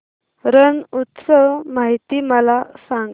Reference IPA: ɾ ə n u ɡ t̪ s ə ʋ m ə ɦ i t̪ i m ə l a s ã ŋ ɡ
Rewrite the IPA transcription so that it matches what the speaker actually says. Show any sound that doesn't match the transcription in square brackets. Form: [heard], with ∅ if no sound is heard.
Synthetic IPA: ɾ ə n u [∅] t̪ s ə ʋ m [a] ɦ i t̪ i m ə l a s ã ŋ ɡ